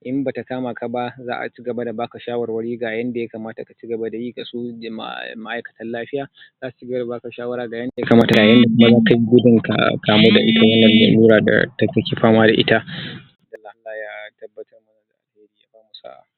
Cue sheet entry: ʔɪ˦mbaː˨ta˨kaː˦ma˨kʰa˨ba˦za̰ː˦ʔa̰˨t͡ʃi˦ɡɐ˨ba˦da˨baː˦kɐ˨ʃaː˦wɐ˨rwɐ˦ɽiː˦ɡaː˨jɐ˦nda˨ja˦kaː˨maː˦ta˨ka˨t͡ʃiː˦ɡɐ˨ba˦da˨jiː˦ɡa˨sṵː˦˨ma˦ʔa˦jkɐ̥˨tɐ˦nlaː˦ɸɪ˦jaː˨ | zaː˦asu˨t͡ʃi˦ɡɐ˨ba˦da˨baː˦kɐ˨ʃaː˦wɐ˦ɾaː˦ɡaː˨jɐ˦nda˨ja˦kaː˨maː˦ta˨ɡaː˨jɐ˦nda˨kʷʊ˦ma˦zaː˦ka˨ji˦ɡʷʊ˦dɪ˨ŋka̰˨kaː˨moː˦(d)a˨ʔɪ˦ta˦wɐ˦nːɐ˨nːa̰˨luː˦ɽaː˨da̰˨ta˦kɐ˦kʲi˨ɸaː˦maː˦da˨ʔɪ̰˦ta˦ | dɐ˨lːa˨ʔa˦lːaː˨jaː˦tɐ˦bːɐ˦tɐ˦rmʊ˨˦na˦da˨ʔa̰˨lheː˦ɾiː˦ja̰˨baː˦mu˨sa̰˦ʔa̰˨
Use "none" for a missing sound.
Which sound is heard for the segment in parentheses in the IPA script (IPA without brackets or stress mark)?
d